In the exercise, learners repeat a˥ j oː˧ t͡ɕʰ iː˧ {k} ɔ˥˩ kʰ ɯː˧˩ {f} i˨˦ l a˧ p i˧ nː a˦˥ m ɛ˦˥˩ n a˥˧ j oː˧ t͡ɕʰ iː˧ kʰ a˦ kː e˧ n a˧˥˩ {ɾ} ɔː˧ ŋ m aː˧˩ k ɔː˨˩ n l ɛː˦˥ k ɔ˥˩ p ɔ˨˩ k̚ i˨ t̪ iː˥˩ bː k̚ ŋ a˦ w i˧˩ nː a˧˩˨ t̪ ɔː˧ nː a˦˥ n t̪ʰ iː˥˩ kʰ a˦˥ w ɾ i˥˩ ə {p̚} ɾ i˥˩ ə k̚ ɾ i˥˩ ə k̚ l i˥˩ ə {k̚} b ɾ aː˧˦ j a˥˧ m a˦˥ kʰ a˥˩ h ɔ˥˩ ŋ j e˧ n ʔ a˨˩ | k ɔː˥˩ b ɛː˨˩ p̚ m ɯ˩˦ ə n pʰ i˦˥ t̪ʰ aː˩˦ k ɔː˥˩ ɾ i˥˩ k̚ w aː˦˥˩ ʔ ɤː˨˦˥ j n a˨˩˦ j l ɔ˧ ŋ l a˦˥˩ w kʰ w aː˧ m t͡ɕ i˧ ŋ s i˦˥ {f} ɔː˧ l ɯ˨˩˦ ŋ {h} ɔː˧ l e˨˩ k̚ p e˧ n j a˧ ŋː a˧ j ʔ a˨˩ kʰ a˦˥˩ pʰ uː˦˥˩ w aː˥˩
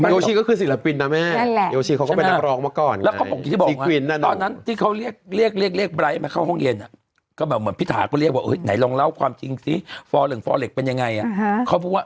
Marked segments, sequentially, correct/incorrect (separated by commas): correct, incorrect, correct, incorrect, correct, correct, incorrect